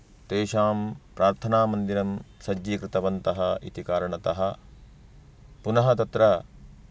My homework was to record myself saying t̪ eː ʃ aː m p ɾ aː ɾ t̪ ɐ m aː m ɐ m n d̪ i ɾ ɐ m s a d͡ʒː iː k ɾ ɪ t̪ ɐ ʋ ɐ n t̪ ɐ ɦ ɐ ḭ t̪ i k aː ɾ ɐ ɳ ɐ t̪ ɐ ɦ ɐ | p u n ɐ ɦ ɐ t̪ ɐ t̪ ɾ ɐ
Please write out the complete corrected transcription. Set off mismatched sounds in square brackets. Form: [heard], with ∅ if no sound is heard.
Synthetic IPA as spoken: t̪ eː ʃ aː m p ɾ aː ɾ [t̪ʰ] ɐ [n] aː m ɐ [∅] n d̪ i ɾ ɐ m s [ɐ] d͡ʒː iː k ɾ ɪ t̪ ɐ ʋ ɐ n t̪ ɐ ɦ ɐ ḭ t̪ i k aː ɾ ɐ ɳ ɐ t̪ ɐ ɦ ɐ | p u n ɐ ɦ ɐ t̪ ɐ t̪ ɾ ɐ